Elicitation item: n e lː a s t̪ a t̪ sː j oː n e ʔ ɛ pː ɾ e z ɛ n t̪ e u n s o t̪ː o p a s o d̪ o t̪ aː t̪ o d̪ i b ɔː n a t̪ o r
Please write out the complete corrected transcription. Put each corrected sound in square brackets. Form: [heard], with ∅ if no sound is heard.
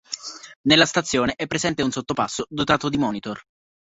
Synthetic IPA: n e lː a s t̪ a t̪ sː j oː n e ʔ ɛ pː ɾ e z ɛ n t̪ e u n s o t̪ː o p a [sː] o d̪ o t̪ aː t̪ o d̪ i [m] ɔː n [i] t̪ o r